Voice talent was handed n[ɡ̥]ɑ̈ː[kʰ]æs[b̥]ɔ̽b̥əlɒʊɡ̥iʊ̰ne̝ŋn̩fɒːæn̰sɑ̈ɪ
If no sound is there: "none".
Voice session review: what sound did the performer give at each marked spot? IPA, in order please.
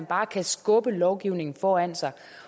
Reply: b̥, kʰ, ɡ̥

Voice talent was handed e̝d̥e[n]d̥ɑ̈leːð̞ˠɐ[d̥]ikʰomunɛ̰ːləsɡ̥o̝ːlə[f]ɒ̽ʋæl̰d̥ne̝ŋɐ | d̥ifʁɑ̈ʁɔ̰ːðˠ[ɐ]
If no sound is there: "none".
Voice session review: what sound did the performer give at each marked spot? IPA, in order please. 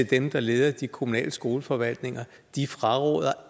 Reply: m, d̥, f, ɐ

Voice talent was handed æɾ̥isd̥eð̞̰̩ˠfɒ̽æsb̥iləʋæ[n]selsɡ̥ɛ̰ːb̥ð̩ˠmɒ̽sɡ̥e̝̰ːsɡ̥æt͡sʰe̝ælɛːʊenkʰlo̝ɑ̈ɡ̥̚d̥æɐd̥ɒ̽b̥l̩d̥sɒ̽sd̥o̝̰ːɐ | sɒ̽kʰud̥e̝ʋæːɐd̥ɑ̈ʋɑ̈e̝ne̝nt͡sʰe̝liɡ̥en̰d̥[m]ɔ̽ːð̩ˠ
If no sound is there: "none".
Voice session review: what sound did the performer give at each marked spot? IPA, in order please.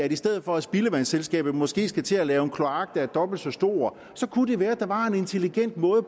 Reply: n, m

